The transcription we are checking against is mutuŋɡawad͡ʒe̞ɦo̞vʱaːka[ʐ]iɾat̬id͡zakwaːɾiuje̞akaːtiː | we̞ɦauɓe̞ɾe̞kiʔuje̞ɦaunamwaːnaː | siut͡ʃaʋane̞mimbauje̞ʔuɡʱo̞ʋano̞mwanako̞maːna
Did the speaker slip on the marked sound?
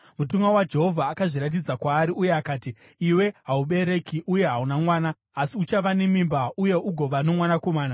no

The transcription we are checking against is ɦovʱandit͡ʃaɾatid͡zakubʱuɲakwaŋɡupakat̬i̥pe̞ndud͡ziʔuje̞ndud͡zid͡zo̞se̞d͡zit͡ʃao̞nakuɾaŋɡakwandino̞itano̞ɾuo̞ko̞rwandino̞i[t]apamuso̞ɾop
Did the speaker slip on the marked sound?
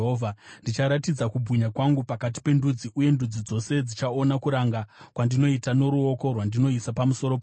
yes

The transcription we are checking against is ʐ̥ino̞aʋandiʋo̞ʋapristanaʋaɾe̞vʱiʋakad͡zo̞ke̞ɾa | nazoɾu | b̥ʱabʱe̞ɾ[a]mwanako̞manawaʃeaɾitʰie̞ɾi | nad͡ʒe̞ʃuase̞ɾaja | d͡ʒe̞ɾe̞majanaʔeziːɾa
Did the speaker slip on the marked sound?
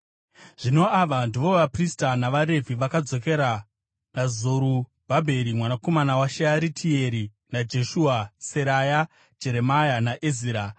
yes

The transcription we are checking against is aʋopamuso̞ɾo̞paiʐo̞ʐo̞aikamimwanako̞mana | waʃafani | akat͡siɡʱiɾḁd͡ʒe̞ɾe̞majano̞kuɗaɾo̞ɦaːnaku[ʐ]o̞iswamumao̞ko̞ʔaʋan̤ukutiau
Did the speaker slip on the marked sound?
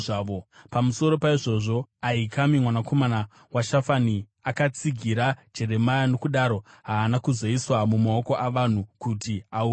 yes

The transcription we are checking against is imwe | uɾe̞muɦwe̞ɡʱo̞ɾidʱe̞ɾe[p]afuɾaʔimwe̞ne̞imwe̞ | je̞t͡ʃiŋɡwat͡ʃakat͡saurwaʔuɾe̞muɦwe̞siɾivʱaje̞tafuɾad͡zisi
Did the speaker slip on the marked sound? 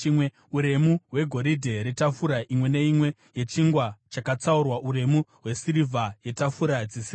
yes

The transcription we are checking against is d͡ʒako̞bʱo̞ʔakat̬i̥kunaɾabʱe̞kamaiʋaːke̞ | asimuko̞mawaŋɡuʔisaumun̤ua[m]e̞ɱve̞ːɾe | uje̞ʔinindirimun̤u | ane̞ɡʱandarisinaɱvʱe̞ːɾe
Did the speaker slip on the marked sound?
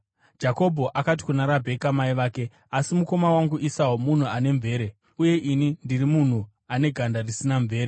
yes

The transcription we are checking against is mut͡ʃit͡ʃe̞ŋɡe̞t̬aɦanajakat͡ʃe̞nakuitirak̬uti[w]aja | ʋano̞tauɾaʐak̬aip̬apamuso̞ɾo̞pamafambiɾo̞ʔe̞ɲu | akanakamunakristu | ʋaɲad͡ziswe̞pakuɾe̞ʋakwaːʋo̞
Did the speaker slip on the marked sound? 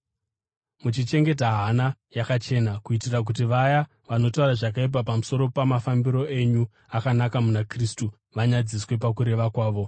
yes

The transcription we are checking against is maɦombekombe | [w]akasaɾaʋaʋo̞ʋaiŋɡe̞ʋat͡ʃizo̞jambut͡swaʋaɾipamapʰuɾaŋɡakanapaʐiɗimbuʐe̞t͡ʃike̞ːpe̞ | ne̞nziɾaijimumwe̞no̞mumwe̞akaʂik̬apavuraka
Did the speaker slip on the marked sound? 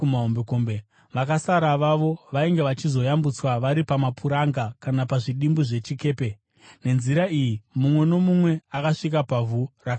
yes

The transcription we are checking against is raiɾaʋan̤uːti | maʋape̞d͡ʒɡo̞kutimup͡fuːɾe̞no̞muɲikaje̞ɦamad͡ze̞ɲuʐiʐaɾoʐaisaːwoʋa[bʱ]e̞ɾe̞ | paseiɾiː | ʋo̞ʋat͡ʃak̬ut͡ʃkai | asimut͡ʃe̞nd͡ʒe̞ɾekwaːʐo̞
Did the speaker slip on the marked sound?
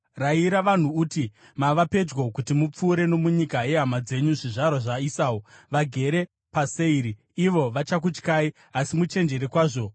yes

